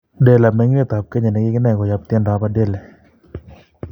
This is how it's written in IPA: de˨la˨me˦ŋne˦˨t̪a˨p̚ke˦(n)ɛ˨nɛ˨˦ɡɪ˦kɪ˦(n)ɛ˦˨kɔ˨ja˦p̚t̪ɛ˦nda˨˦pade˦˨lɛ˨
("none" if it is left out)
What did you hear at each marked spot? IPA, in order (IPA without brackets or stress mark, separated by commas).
ɲ, n